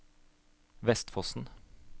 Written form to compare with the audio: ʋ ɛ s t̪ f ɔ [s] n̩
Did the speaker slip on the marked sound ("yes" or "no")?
no